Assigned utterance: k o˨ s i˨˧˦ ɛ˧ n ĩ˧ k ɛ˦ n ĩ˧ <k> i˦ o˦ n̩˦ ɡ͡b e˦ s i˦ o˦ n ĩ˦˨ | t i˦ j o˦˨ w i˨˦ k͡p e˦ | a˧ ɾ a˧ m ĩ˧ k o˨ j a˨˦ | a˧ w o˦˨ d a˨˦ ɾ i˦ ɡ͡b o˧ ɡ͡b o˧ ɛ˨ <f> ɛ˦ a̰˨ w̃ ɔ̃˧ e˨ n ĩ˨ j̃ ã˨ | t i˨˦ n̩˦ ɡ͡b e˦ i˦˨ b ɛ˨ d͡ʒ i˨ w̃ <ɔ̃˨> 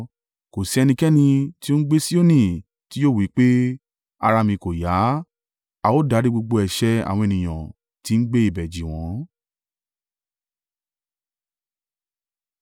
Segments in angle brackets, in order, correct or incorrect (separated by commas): incorrect, incorrect, incorrect